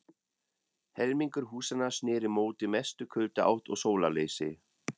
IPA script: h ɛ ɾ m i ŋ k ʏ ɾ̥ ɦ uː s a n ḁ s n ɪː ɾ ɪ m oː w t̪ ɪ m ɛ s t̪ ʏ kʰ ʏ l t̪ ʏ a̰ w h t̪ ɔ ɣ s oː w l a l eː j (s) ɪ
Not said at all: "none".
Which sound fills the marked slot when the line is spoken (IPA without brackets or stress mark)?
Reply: s